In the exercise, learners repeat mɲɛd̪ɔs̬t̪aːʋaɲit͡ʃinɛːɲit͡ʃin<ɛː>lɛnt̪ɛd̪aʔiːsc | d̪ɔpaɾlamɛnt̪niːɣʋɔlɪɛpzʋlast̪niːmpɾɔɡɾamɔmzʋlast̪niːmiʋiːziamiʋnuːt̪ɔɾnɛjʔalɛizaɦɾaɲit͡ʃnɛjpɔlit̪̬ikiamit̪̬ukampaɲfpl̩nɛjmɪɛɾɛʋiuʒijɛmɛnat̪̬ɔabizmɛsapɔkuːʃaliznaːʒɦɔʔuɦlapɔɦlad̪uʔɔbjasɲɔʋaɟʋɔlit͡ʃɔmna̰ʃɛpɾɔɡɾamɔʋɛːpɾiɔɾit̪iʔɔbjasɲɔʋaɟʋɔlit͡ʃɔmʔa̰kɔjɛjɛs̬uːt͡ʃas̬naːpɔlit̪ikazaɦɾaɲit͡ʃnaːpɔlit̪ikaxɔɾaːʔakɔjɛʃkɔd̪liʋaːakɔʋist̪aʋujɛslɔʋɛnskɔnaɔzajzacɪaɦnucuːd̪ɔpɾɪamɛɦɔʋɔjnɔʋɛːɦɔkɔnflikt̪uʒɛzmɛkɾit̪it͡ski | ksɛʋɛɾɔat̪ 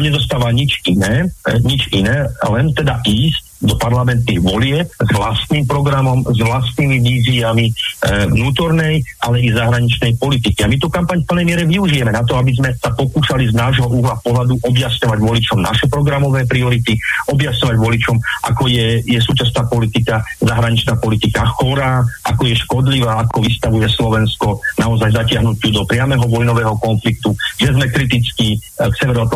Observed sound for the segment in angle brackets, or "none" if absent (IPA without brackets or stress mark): ɛː